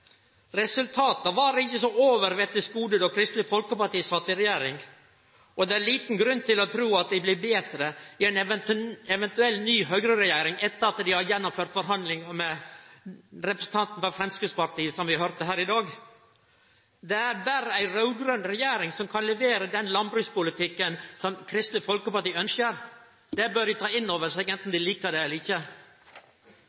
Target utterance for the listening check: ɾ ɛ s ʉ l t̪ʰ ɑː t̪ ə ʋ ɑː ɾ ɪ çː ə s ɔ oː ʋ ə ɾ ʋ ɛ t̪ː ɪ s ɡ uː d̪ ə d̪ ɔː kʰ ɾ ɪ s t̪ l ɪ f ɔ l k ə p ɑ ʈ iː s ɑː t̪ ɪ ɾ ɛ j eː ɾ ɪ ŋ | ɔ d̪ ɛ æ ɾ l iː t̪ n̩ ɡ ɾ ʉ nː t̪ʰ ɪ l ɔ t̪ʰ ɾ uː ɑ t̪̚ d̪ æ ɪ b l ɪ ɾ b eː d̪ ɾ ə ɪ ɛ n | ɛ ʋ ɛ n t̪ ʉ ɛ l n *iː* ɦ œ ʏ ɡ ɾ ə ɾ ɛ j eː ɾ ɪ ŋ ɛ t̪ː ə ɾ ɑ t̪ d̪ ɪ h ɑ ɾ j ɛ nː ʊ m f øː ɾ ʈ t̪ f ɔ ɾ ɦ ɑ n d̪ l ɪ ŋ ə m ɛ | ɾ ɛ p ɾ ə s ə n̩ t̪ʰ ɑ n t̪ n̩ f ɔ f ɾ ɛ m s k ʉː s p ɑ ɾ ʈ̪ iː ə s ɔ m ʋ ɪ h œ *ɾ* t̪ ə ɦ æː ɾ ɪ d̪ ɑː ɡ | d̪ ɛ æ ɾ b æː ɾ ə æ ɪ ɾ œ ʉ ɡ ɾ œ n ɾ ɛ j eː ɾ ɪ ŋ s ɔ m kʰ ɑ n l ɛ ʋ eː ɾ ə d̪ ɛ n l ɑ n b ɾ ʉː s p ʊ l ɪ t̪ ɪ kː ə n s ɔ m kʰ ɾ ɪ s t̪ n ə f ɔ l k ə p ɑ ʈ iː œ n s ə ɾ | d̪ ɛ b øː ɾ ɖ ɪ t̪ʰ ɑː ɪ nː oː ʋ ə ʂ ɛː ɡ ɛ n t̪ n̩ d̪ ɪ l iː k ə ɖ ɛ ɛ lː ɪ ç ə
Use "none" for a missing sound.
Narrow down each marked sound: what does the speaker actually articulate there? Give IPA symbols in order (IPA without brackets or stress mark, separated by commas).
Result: yː, ɾ